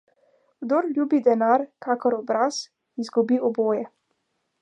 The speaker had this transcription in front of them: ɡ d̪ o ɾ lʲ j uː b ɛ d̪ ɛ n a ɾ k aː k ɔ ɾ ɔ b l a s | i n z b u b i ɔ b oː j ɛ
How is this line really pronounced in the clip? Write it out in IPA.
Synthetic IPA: ɡ d̪ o ɾ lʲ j uː b i d̪ ɛ n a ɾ k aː k ɔ ɾ ɔ b ɾ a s | i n z ɡ u b i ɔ b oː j ɛ